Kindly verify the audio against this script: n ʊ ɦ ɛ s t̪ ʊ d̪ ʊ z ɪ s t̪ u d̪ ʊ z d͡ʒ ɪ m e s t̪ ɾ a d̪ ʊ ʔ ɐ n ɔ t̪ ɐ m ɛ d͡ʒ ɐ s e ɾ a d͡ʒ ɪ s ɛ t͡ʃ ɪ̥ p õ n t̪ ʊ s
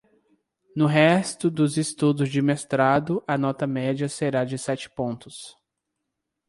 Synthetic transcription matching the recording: n ʊ ɦ ɛ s t̪ ʊ d̪ ʊ z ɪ s t̪ u d̪ ʊ z d͡ʒ ɪ m e s t̪ ɾ a d̪ ʊ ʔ ɐ n ɔ t̪ ɐ m ɛ d͡ʒ ɐ s e ɾ a d͡ʒ ɪ s ɛ t͡ʃ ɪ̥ p õ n t̪ ʊ s